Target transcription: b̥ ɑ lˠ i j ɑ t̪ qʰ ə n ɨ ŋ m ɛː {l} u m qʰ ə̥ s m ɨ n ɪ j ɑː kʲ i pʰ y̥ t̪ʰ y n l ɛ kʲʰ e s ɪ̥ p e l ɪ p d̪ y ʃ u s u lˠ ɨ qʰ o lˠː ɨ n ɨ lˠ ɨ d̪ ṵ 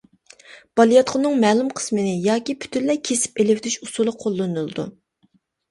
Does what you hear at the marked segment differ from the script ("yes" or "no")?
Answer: no